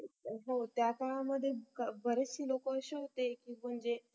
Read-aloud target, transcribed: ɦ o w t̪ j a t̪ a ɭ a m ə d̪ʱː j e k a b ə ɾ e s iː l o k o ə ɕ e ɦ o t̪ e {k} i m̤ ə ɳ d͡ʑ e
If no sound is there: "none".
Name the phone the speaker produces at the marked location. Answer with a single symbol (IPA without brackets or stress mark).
k